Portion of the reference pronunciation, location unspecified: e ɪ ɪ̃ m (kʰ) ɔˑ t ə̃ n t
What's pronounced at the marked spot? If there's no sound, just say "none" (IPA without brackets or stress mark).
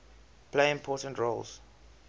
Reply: pʰ